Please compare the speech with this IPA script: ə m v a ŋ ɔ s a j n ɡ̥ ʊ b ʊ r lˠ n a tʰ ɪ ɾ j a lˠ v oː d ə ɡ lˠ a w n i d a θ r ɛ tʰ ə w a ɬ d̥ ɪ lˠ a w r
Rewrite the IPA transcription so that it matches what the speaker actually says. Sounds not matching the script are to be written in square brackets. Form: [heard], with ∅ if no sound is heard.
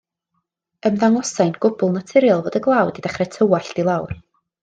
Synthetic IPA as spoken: ə m [ð] a ŋ ɔ s a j n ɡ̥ ʊ b ʊ [∅] lˠ n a tʰ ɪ ɾ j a lˠ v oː d ə ɡ lˠ a w [d] i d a [χ] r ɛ tʰ ə w a ɬ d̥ [i] lˠ a w r